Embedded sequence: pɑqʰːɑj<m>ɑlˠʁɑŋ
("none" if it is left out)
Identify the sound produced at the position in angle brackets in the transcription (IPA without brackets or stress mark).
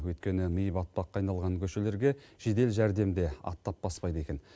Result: n